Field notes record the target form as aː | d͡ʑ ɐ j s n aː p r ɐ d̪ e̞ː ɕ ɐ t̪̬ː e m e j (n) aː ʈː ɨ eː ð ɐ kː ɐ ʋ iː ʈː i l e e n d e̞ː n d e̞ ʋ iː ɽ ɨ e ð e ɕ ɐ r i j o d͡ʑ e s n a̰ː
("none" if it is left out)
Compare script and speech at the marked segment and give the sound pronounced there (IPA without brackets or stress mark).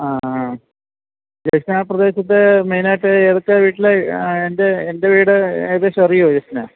n